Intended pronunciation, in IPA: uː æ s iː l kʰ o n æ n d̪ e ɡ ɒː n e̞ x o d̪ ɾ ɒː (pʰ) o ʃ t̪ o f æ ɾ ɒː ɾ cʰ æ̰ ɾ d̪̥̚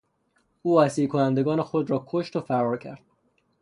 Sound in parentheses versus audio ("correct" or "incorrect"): incorrect